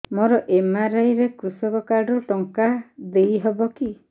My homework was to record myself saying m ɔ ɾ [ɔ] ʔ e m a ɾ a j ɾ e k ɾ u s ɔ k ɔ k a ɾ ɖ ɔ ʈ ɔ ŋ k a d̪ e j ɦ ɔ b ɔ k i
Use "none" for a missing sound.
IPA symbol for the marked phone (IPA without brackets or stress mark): ɔ